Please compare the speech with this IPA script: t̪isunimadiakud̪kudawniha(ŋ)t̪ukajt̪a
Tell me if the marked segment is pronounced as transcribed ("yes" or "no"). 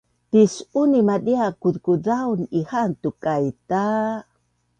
no